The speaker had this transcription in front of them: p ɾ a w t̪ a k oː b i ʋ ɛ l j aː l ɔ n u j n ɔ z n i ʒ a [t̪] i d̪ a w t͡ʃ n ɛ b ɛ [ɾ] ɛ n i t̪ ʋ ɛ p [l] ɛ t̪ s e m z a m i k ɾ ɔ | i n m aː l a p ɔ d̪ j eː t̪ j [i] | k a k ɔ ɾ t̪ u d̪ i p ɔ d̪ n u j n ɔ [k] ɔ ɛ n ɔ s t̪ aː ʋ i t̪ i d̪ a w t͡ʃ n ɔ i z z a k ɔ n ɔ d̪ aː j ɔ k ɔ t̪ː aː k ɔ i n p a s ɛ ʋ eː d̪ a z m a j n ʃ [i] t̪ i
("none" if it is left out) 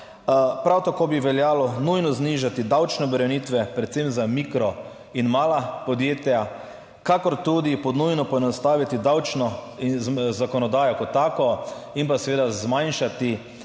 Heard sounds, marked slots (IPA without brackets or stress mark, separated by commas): t̪, ɾ, ɾ, a, p, a